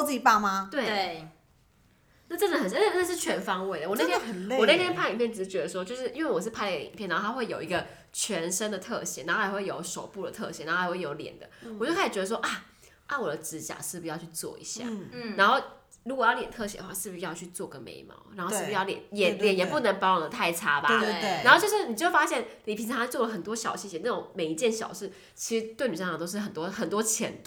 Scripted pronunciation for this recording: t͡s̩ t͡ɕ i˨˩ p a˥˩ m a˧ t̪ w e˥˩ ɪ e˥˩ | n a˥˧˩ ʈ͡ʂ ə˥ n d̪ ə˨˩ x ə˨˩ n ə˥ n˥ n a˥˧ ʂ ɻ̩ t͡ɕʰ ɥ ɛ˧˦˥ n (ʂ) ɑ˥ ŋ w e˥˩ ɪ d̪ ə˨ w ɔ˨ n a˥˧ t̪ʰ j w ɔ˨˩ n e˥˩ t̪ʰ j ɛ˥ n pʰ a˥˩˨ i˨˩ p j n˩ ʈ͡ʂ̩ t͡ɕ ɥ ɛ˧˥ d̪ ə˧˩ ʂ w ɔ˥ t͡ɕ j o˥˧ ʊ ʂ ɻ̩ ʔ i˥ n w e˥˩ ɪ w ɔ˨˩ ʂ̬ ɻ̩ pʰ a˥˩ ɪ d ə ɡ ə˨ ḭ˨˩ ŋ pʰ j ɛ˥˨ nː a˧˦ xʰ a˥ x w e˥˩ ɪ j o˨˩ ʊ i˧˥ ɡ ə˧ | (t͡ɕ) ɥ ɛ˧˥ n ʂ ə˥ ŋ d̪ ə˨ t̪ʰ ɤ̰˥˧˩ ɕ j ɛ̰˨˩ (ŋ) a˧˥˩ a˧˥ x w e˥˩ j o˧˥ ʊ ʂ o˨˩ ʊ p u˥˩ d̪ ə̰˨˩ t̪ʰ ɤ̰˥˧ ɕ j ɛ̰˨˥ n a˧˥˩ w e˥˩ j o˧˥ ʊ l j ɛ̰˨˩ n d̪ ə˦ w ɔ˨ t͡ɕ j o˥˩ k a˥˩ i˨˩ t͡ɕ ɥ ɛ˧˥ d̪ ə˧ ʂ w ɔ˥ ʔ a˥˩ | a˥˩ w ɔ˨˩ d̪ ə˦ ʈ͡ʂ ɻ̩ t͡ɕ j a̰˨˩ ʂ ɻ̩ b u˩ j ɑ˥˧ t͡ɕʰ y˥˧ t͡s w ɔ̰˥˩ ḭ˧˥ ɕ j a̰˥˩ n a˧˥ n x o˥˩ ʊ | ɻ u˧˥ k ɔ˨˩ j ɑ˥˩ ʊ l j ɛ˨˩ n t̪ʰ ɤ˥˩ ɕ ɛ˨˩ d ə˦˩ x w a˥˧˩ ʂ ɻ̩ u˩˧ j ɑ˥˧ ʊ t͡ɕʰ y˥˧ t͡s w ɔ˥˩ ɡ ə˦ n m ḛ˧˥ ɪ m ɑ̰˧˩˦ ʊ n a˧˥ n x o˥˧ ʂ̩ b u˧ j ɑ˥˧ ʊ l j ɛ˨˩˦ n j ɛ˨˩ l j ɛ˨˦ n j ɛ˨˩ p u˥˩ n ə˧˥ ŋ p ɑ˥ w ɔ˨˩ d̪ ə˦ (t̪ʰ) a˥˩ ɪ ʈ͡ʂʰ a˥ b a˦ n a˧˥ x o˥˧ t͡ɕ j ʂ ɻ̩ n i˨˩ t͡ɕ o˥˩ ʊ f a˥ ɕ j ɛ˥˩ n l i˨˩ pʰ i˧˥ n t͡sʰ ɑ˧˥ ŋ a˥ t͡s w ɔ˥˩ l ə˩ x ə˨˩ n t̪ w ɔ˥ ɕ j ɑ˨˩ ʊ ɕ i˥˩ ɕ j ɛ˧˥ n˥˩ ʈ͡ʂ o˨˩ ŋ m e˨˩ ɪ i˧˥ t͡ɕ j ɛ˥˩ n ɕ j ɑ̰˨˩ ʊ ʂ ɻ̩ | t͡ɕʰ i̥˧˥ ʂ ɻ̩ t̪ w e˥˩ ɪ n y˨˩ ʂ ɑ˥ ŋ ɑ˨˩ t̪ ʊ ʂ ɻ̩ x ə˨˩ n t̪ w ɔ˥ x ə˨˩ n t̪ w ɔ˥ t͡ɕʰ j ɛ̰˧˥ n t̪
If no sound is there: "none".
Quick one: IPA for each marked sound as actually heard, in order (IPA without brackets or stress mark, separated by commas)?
f, t͡ɕʰ, n, t̪ʰ